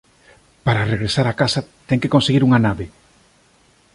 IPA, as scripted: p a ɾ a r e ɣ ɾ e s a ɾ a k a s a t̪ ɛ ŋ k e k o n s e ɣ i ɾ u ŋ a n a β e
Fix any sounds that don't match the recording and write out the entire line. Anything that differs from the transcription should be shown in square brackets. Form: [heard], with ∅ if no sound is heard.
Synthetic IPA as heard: p a ɾ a r e ɣ ɾ e s a ɾ a k a s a t̪ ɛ ŋ k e k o n s e ɣ i ɾ u ŋ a n a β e